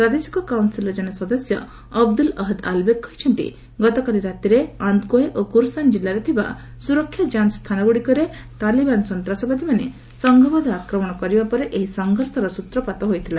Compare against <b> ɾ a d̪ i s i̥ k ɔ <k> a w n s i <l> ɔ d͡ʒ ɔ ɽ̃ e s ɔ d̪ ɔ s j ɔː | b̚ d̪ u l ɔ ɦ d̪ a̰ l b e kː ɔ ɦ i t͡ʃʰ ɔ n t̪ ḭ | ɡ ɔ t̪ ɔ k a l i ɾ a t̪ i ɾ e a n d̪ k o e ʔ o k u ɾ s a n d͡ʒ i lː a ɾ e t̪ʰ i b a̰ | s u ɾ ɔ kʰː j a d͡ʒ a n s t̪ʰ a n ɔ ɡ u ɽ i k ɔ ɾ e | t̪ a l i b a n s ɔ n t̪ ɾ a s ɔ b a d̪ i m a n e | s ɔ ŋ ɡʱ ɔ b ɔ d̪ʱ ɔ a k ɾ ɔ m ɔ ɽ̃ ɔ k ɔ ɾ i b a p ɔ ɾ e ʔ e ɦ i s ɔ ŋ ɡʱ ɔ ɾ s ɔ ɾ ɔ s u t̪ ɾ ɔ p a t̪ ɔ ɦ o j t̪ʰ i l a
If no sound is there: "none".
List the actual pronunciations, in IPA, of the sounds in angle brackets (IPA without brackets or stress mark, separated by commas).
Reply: p, k, l